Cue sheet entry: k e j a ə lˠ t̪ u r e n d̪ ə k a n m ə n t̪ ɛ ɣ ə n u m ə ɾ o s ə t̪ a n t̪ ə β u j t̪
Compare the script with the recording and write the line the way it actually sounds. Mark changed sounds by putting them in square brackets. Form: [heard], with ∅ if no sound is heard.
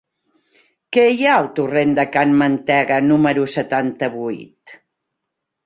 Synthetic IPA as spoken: k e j a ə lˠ t̪ u r e n d̪ ə k a n m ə n t̪ ɛ ɣ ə n u m ə ɾ [u] s ə t̪ a n t̪ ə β u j t̪